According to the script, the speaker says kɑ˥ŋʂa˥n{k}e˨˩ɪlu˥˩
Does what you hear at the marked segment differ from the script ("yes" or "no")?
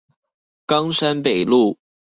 yes